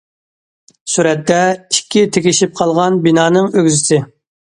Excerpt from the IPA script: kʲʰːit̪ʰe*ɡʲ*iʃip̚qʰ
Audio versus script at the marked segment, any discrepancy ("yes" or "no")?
yes